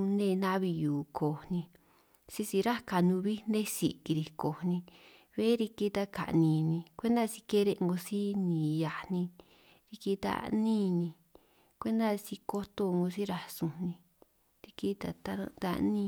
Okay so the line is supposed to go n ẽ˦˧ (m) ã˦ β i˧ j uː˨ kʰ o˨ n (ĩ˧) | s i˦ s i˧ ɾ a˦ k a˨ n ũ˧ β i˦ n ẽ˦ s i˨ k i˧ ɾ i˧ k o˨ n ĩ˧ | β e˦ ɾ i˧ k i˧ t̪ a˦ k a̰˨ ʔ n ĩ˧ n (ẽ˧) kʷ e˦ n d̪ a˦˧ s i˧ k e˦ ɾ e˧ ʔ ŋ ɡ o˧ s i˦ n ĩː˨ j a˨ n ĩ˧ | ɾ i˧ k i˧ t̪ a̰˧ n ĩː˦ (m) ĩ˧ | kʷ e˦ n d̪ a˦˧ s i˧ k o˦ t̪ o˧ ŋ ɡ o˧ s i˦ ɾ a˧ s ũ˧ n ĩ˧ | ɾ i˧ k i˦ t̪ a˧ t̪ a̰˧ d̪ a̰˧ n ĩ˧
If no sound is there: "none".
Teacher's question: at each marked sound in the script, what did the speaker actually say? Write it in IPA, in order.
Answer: n, ĩ˧, ĩ˧, n

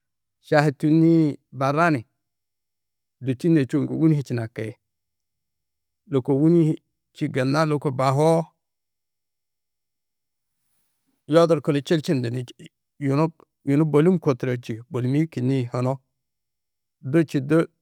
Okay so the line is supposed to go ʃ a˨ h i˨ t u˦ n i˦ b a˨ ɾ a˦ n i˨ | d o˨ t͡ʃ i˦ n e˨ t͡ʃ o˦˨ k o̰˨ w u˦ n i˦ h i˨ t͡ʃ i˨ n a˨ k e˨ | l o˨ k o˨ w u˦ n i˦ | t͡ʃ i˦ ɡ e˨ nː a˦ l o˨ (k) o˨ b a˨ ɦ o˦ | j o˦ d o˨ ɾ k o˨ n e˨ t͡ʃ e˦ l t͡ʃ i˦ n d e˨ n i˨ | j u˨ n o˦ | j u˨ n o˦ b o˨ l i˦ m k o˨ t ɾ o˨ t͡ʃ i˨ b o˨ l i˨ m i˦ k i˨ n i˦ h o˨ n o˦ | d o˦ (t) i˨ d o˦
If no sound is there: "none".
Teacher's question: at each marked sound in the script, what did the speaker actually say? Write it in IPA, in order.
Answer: k, t͡ʃ

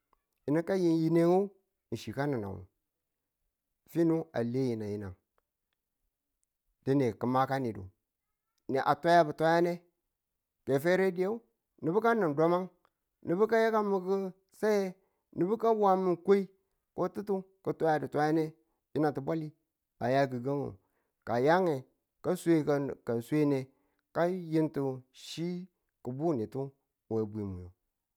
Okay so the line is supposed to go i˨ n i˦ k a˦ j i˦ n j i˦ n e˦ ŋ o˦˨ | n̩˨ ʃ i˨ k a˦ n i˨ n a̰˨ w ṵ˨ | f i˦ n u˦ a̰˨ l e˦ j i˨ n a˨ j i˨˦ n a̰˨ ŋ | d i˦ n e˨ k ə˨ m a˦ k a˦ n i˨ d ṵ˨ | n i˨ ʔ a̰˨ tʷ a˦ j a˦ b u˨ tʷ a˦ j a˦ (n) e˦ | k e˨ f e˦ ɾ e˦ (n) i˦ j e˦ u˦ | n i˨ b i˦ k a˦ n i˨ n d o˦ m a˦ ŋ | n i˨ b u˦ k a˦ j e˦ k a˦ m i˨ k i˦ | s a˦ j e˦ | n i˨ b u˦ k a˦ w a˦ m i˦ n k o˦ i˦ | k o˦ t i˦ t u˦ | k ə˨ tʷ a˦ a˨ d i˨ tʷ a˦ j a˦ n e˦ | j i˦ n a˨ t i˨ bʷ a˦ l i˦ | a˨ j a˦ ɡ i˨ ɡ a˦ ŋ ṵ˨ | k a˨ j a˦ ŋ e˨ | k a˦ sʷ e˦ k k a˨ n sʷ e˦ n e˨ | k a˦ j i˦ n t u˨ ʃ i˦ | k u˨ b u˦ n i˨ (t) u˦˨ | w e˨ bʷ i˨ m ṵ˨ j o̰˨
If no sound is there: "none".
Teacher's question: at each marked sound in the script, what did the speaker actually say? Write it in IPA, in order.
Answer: n, d, t

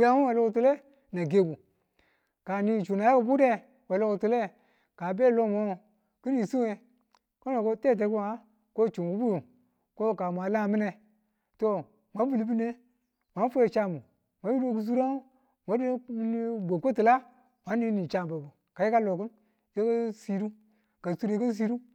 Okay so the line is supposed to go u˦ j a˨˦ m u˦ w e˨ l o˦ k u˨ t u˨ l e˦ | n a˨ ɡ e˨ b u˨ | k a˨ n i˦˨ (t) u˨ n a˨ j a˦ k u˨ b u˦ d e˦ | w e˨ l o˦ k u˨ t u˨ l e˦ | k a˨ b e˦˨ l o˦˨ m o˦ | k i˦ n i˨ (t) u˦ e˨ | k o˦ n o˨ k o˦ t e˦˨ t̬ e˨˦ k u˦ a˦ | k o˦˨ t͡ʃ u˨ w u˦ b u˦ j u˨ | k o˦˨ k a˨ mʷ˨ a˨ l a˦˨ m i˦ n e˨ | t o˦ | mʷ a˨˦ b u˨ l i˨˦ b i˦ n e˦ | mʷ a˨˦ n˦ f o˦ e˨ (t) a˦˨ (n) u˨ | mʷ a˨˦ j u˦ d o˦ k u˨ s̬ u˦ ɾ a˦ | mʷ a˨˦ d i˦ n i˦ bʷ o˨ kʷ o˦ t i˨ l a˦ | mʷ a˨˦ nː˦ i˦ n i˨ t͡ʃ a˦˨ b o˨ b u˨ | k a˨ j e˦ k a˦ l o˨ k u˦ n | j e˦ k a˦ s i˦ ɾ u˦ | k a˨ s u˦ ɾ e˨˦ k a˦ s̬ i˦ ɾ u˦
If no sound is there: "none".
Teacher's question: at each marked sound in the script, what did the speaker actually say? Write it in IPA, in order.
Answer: t͡ʃ, s, t͡ʃ, m

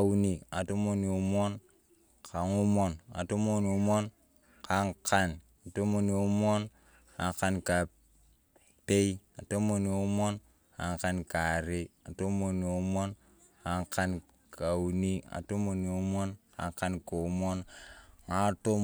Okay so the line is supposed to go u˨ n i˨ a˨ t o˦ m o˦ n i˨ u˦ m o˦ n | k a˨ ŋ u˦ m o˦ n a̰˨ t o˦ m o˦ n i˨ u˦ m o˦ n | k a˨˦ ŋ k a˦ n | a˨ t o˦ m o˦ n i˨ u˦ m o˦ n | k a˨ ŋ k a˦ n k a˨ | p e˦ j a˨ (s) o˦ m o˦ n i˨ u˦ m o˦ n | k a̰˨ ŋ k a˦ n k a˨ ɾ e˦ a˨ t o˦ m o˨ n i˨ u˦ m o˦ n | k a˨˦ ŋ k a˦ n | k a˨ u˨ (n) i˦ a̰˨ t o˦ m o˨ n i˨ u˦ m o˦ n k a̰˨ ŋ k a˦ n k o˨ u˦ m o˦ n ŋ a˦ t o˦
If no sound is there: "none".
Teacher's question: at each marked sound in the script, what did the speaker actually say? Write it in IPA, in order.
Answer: t, n

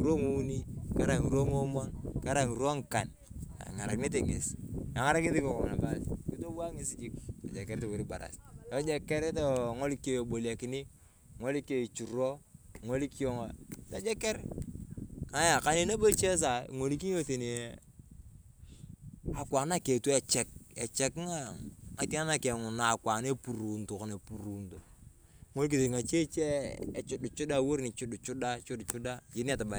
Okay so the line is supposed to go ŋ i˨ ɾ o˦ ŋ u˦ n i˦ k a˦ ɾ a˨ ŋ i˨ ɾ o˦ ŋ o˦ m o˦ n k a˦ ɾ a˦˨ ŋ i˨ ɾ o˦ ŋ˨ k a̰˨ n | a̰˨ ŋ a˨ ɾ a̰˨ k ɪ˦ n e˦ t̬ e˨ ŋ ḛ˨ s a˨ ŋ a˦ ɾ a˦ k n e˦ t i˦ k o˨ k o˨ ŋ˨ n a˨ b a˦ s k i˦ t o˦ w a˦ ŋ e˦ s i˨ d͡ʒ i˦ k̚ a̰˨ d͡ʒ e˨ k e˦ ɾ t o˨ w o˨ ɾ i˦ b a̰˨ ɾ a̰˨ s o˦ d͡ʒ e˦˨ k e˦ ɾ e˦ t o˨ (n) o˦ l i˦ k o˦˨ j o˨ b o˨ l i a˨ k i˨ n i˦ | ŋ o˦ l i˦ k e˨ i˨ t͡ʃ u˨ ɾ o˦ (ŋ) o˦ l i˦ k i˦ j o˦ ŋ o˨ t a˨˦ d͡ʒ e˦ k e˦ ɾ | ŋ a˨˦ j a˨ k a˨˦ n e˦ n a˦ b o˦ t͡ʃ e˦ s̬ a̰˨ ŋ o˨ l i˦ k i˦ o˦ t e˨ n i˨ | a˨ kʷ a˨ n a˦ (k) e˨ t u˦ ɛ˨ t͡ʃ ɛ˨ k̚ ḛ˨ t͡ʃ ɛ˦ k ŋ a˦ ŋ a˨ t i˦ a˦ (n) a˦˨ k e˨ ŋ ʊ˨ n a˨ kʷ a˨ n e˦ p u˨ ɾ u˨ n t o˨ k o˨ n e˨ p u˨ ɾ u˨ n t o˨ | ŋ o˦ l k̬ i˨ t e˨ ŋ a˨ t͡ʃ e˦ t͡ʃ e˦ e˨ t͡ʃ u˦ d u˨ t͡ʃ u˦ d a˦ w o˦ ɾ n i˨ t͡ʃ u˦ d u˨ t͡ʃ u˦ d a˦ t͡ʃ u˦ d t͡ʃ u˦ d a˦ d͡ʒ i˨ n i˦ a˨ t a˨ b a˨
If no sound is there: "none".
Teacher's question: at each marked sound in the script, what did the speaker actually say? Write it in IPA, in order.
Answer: ŋ, ŋ, k, n

